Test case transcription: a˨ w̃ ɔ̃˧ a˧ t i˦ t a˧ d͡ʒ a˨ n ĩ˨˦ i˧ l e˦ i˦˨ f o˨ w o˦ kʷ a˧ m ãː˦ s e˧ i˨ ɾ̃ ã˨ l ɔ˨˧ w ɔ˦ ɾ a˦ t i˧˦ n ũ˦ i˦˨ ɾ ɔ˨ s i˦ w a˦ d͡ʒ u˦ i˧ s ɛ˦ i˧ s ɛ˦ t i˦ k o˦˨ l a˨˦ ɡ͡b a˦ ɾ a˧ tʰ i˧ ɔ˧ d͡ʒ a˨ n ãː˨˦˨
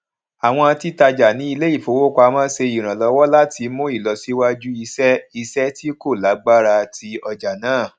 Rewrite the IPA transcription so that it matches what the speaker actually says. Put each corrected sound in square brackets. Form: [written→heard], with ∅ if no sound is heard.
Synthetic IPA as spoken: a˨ w̃ ɔ̃˧ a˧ t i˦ t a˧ d͡ʒ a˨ n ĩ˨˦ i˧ l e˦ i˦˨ f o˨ w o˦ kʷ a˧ m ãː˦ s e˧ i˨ ɾ̃ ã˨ l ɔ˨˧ w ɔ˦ [ɾ→l] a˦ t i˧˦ [n→m] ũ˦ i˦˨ [ɾ→l] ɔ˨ s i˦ w a˦ d͡ʒ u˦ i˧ s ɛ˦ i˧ s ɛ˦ t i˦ k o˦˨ l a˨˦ ɡ͡b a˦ ɾ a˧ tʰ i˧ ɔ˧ d͡ʒ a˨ n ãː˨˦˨